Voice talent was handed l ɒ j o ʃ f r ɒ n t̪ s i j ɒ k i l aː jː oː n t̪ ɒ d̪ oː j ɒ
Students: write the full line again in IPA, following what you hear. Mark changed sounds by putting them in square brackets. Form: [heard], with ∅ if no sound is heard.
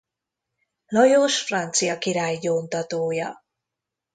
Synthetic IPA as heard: l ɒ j o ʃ f r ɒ n t̪ s i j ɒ k i [ɾ] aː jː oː n t̪ ɒ [t̪] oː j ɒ